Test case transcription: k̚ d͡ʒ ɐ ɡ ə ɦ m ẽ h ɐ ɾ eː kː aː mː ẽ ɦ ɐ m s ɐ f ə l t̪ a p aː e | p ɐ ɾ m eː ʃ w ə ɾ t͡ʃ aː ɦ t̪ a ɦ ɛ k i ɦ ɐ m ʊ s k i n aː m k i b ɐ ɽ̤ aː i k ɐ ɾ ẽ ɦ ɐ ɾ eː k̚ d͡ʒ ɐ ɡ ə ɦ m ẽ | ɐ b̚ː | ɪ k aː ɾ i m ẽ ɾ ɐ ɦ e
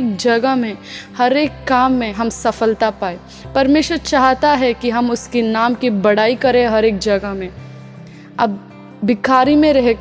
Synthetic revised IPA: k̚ d͡ʒ ɐ ɡ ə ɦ m ẽ h ɐ ɾ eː kː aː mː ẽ ɦ ɐ m s ɐ f ə l t̪ a p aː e | p ɐ ɾ m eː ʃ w ə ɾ t͡ʃ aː ɦ t̪ a ɦ ɛ k i ɦ ɐ m ʊ s k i n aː m k i b ɐ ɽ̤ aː i k ɐ ɾ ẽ ɦ ɐ ɾ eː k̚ d͡ʒ ɐ ɡ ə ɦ m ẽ | ɐ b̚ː | ɪ k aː ɾ i m ẽ ɾ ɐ ɦ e